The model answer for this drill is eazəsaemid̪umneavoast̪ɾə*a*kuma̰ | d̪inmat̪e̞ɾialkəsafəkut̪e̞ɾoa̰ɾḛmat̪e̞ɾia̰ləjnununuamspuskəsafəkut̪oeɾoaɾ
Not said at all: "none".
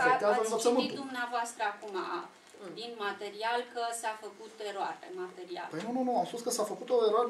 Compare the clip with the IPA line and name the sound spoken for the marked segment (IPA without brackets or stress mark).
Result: a